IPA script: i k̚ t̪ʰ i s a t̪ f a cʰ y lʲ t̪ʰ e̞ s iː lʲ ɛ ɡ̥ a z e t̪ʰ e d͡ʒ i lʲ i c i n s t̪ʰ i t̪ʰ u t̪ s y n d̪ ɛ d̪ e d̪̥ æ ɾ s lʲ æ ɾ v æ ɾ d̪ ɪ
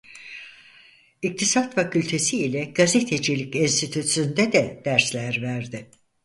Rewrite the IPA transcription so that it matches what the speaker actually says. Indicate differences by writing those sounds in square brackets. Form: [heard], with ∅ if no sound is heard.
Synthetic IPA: i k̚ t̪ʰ i s a t̪ f a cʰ y lʲ t̪ʰ e̞ s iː lʲ ɛ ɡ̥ a z e t̪ʰ e d͡ʒ i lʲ i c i n s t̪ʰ i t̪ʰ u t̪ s y n d̪ ɛ d̪ [ɛ] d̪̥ æ ɾ s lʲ æ ɾ v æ ɾ d̪ ɪ